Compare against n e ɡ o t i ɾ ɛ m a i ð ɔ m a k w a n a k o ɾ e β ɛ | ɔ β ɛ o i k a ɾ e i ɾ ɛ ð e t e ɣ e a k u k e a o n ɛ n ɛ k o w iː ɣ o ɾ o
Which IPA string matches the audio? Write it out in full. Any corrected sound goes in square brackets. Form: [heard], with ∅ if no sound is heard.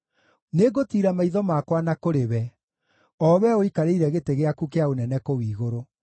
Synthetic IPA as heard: n e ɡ o t i ɾ [a] m a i ð ɔ m a k w a n a k o ɾ e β ɛ | ɔ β ɛ o i k a ɾ e i ɾ ɛ [ɣ] e t e ɣ e a k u k e a o n ɛ n ɛ k o w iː ɣ o ɾ o